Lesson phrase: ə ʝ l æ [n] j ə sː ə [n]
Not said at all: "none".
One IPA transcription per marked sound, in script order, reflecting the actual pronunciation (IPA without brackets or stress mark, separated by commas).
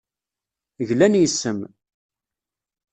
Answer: n, m